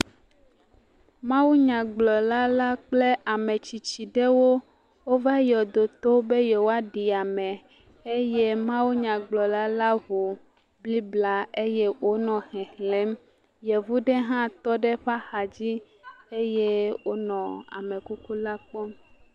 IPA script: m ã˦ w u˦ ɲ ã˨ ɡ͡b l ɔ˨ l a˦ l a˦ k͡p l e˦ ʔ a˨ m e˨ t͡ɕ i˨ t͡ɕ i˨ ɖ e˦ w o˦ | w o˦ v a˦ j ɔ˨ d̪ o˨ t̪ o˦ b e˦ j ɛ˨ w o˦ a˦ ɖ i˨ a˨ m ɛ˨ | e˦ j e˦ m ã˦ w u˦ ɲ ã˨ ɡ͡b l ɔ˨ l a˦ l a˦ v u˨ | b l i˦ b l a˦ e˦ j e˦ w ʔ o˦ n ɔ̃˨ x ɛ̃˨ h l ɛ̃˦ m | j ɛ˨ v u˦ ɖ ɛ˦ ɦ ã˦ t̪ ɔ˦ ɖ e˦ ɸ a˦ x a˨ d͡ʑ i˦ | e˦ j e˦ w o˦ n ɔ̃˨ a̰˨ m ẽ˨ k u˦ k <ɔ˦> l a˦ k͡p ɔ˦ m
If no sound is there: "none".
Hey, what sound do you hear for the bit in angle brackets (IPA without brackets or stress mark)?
u˦